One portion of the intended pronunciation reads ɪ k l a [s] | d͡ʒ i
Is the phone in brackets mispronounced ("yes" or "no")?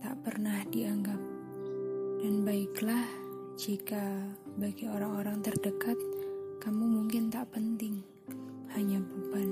yes